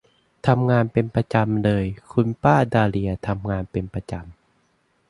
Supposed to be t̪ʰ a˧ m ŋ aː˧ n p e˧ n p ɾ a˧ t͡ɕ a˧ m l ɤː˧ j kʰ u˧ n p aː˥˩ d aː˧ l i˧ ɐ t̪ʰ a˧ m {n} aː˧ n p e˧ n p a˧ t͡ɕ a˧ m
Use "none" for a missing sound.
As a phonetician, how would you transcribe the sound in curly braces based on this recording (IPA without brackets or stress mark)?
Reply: ŋ